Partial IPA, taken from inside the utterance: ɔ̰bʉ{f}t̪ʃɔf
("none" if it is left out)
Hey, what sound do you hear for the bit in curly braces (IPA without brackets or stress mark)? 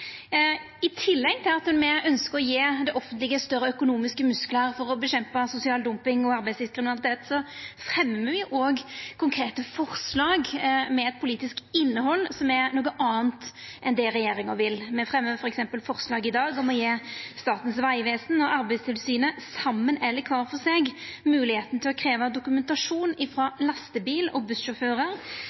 s